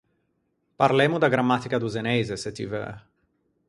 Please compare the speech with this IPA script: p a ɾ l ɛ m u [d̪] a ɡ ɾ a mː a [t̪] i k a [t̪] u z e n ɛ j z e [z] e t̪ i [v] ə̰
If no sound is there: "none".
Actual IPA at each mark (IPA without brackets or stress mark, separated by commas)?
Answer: d̪, t̪, d̪, s, v